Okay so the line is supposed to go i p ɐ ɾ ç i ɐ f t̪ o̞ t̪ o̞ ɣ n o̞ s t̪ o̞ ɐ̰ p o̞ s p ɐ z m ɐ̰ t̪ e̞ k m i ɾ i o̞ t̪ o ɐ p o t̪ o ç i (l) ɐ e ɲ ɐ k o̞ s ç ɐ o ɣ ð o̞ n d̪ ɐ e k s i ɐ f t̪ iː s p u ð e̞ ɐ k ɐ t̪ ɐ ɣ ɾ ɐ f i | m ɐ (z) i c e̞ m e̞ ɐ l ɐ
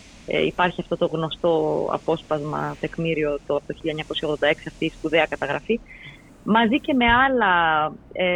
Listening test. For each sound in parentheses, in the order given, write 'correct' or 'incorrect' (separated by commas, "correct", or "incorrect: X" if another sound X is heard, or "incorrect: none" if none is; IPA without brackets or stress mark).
incorrect: ʎ, correct